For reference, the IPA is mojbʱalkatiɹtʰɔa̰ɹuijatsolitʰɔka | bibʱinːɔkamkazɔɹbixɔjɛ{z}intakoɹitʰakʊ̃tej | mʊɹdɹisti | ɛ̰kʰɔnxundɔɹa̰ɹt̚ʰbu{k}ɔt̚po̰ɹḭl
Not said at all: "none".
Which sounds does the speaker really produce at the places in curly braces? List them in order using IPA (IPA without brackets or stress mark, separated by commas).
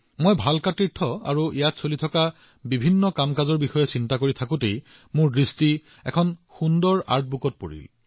s, k